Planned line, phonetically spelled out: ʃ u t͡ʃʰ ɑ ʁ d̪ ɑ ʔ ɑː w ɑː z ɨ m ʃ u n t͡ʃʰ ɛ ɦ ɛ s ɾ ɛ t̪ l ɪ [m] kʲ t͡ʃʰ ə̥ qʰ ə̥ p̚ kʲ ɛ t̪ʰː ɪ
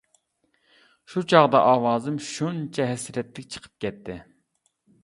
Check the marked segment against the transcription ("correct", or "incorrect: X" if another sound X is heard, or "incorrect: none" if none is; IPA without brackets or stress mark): incorrect: none